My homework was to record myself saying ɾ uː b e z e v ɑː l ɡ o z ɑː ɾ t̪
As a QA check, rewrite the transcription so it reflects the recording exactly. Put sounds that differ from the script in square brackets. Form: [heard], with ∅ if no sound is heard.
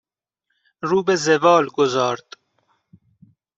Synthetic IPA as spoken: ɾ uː b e z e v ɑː l ɡ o z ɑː ɾ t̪